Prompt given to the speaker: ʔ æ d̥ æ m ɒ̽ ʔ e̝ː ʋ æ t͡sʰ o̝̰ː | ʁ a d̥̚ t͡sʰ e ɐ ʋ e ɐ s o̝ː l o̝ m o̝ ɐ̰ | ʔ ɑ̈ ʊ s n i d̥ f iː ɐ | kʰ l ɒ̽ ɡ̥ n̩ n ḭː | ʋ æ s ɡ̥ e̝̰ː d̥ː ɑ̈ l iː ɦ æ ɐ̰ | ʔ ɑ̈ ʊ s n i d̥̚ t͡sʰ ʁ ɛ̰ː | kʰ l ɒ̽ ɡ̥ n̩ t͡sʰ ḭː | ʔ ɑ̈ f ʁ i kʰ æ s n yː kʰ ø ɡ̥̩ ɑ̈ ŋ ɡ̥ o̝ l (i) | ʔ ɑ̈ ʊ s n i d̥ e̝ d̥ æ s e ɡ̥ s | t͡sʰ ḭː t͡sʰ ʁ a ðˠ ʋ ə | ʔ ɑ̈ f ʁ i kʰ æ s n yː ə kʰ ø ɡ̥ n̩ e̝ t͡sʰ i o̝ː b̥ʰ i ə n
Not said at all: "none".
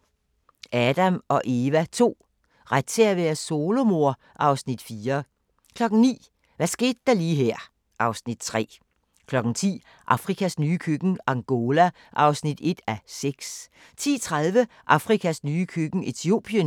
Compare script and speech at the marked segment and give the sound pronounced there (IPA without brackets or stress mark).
æ